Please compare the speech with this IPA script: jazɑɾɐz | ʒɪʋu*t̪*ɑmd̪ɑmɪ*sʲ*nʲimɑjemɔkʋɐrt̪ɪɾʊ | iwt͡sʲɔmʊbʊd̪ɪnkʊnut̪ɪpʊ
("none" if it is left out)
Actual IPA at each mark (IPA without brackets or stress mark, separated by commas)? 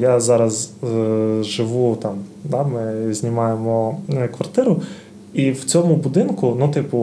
t̪, zʲ